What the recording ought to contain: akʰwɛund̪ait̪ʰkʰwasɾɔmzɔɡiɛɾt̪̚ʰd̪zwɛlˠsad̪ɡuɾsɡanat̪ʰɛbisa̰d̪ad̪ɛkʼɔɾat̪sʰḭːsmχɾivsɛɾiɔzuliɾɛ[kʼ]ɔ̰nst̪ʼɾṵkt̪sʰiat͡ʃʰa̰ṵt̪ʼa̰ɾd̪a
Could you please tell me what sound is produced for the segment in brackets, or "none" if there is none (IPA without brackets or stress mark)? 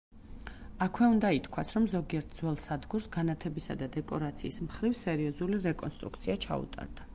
kʼ